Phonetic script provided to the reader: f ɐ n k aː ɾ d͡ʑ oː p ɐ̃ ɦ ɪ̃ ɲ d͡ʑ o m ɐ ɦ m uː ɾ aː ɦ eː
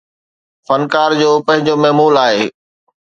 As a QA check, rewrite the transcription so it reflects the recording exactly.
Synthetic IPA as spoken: f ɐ n k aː ɾ d͡ʑ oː p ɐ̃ ɦ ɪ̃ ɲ d͡ʑ o m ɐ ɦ m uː l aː ɦ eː